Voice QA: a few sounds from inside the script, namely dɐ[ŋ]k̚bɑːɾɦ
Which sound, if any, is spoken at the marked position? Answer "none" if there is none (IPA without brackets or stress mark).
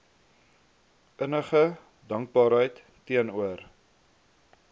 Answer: ŋ